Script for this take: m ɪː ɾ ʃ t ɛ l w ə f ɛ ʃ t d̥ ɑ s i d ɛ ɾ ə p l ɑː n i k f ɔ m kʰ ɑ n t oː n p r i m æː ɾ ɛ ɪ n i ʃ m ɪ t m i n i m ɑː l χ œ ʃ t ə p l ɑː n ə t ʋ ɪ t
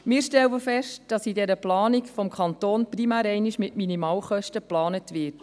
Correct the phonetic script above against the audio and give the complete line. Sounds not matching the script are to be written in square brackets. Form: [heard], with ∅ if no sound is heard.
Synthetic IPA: m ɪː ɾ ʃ t ɛ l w ə f ɛ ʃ t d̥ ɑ s i d ɛ ɾ ə p l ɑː n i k f ɔ m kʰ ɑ n t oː n p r i m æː ɾ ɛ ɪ n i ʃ m ɪ t m i n i m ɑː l χ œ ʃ t ə p l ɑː n ə t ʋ ɪ t